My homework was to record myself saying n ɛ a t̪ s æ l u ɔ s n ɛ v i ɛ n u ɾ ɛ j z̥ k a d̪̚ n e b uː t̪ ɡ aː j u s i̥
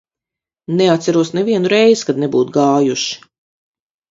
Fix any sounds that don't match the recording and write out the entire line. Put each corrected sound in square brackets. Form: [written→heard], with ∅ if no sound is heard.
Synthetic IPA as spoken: n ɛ a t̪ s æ [l→ɾ] u ɔ s n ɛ v i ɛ n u ɾ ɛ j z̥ k a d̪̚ n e b uː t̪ ɡ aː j u [s→ʃ] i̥

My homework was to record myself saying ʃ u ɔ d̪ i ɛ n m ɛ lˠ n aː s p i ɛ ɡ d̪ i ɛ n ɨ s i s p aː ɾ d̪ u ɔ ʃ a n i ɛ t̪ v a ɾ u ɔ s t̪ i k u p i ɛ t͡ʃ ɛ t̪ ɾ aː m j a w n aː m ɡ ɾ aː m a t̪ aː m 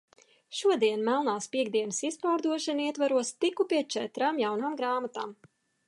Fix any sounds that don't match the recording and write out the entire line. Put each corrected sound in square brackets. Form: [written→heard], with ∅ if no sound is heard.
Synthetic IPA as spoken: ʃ u ɔ d̪ i ɛ n m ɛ lˠ n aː s p i ɛ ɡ d̪ i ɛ n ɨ s i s p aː ɾ d̪ u ɔ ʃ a n i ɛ t̪ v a ɾ u ɔ s t̪ i k u p i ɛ t͡ʃ ɛ t̪ ɾ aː m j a w n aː m ɡ ɾ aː m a t̪ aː m

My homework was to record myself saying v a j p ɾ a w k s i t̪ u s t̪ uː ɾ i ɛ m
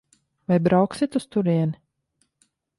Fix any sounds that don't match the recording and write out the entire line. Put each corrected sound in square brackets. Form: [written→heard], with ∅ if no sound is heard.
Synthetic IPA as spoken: v a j [p→b] ɾ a w k s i t̪ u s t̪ [uː→u] ɾ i ɛ [m→n]

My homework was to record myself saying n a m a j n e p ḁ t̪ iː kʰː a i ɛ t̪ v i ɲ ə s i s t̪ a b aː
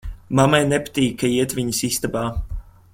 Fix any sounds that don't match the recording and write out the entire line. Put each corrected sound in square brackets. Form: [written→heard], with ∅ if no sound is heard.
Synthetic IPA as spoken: [n→m] a m a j n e p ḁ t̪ iː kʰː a i ɛ t̪ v i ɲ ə s i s t̪ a b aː

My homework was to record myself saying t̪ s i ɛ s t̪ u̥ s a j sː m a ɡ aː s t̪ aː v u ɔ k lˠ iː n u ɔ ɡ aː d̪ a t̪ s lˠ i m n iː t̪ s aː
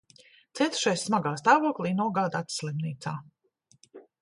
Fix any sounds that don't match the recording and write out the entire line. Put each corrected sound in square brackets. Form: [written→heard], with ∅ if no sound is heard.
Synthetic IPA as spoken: t̪ s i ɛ [s→∅] t̪ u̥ [s→ʃ] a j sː m a ɡ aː s t̪ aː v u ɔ k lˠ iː n u ɔ ɡ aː d̪ a t̪ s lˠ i m n iː t̪ s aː

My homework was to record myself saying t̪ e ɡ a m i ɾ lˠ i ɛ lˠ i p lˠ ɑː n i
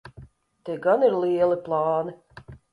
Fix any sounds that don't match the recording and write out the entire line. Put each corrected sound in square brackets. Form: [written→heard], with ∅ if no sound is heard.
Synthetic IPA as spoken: t̪ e ɡ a [m→n] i ɾ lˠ i ɛ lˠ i p lˠ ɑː n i

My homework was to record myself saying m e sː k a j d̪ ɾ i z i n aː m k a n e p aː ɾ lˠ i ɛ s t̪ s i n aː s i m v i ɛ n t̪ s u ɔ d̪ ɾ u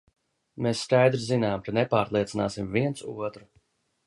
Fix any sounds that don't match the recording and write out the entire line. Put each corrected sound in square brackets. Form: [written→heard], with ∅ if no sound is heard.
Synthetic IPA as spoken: m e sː k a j d̪ ɾ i z i n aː m k a n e p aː ɾ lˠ i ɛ [s→∅] t̪ s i n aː s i m v i ɛ n t̪ s u ɔ [d̪→t̪] ɾ u

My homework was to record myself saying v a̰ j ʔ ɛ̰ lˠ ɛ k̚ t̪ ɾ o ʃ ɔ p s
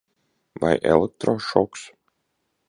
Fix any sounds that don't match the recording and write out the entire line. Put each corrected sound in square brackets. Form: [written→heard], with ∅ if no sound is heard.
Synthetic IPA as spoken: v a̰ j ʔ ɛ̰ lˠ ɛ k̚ t̪ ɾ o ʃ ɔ [p→k] s

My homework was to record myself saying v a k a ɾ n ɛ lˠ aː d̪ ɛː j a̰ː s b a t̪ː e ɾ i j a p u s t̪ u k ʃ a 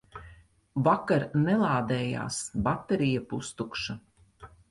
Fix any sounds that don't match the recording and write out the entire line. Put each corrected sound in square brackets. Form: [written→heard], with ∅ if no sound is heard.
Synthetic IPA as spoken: v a k a ɾ n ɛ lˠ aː d̪ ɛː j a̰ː s b a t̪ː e ɾ i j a p u s t̪ u k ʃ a

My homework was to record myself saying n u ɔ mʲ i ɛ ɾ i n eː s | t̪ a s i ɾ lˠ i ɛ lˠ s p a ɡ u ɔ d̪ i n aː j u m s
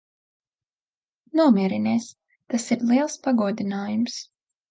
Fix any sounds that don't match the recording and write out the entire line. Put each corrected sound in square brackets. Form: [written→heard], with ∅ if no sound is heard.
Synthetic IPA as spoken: n u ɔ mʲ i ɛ ɾ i n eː s | t̪ a s i ɾ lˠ i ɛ lˠ s p a ɡ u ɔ d̪ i n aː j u m s

